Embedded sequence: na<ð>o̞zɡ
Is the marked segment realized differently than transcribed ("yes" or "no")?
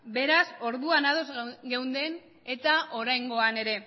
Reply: no